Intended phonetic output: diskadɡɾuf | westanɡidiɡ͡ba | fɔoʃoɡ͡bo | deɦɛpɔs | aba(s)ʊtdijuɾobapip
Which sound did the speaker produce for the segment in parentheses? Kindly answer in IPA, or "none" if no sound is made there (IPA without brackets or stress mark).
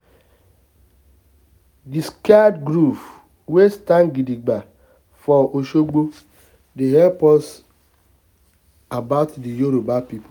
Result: none